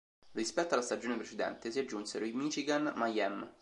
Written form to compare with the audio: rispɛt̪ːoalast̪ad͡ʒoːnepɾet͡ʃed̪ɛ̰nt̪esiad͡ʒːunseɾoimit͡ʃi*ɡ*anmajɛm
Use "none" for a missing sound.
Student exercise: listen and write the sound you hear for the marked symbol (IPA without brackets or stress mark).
ɡ